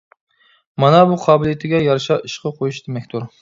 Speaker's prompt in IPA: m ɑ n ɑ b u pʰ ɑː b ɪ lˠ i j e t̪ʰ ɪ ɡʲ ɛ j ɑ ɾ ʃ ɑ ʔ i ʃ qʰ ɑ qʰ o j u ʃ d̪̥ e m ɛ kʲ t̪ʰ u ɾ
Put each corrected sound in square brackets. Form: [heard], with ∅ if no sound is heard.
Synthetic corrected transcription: m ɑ n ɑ b u [qʰ] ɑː b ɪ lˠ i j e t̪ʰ ɪ ɡʲ ɛ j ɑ ɾ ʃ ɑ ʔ i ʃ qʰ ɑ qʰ o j u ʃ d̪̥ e m ɛ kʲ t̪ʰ u ɾ